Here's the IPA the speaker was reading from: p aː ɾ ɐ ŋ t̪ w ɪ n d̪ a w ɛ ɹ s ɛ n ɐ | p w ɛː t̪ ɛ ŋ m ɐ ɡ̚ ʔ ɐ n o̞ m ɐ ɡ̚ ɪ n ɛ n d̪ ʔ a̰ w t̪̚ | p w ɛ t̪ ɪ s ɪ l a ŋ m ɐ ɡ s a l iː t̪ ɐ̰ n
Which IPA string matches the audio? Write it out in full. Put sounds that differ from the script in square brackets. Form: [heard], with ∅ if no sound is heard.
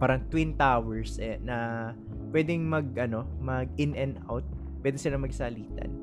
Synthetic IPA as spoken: p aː ɾ ɐ ŋ t̪ w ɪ n [t̪] a w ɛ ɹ s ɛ n ɐ | p w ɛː [d̪] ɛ ŋ m ɐ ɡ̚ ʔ ɐ n o̞ m ɐ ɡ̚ ɪ n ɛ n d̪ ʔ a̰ w t̪̚ | p w ɛ [d̪] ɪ s ɪ l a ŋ m ɐ ɡ s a l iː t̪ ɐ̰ n